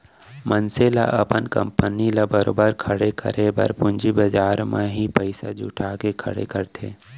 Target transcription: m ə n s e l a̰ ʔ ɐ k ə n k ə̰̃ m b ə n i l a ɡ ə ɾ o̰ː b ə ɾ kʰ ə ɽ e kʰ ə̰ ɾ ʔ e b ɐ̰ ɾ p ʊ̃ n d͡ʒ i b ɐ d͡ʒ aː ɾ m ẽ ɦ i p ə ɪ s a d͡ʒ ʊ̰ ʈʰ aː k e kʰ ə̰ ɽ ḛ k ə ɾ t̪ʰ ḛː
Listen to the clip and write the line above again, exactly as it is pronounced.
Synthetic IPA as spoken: m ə n s e l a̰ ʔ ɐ p ə n k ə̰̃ m p ə n i l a b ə ɾ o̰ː b ə ɾ kʰ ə ɽ e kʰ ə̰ ɾ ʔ e b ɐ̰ ɾ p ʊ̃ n d͡ʒ i b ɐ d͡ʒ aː ɾ m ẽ ɦ i p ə ɪ s a d͡ʒ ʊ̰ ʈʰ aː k e kʰ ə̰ ɽ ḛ k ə ɾ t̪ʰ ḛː